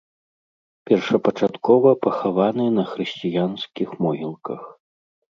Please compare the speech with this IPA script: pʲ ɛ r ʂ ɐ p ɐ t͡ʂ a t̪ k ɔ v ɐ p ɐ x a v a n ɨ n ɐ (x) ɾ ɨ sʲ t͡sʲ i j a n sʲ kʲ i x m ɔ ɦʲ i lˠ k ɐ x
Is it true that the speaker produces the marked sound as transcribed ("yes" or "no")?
yes